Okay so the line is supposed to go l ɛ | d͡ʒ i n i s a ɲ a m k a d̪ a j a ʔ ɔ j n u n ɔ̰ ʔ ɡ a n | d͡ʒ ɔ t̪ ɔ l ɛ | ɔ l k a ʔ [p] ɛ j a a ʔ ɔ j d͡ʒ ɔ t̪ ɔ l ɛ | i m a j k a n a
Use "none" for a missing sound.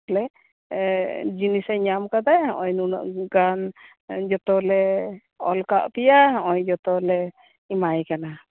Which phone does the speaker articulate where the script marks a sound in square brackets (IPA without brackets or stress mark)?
p